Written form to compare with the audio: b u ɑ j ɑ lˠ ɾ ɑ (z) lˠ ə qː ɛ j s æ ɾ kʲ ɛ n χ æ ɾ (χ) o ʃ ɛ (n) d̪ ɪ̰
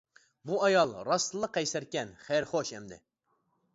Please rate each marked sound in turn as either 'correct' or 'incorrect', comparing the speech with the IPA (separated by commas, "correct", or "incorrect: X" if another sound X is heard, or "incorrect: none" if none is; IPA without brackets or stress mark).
incorrect: s, correct, incorrect: m